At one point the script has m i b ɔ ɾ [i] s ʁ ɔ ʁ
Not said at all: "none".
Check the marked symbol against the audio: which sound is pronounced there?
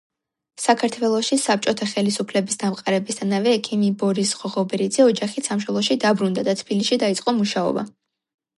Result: i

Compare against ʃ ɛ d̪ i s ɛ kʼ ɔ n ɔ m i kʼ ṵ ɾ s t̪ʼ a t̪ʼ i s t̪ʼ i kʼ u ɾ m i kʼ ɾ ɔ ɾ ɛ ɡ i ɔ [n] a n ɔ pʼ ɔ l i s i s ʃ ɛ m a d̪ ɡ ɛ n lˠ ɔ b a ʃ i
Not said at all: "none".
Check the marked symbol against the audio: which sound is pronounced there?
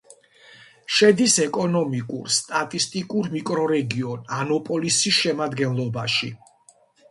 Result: n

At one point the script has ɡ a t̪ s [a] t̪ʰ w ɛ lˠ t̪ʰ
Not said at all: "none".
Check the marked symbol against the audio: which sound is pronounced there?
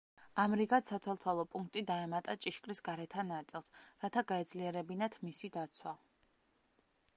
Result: a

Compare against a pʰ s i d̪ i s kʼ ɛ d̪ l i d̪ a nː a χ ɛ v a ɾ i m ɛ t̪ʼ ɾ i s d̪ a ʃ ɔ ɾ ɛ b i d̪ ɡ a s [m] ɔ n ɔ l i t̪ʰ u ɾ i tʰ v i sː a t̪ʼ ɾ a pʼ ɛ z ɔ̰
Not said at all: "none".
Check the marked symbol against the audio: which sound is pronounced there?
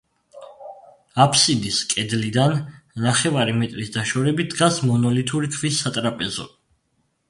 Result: m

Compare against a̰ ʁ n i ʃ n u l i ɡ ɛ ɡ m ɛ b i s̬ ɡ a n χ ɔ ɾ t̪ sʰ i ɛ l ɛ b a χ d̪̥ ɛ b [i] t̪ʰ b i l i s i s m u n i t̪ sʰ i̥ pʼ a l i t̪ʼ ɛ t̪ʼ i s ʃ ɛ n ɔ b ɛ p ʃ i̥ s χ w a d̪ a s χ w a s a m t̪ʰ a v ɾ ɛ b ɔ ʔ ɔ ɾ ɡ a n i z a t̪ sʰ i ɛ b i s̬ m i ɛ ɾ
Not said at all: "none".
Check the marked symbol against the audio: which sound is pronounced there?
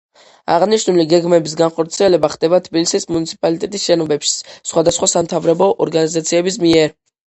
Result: a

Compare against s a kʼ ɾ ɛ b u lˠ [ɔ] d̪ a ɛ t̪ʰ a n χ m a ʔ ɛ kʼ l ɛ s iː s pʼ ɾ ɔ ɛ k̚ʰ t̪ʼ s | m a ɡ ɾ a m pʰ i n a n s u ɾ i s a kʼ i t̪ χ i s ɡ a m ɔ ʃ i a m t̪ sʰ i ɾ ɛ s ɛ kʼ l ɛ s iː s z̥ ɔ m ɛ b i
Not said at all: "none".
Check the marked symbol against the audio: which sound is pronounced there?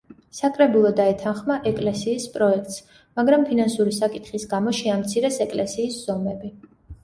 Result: ɔ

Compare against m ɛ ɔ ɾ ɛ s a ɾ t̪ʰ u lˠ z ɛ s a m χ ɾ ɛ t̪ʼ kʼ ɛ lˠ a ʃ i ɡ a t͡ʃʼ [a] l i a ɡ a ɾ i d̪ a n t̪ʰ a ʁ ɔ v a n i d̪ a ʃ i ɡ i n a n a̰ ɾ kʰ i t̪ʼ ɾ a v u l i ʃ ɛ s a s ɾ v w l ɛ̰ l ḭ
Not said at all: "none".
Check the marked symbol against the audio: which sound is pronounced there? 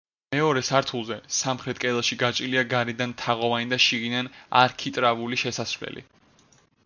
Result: i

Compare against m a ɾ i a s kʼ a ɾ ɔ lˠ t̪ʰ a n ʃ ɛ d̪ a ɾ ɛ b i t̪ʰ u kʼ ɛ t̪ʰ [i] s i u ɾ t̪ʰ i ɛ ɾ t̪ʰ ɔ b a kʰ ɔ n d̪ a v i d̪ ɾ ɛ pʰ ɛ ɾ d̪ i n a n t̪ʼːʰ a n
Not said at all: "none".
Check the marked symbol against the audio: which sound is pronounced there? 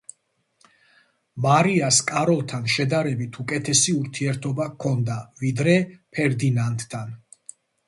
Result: ɛ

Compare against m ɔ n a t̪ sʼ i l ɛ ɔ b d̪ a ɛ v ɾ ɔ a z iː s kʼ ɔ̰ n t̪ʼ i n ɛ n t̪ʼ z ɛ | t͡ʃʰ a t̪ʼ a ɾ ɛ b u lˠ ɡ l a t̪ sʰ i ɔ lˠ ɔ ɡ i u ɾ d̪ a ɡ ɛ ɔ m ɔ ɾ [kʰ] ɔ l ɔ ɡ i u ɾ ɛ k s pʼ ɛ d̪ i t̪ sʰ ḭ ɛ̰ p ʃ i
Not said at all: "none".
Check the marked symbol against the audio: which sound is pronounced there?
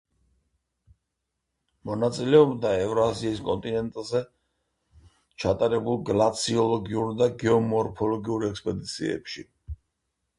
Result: pʰ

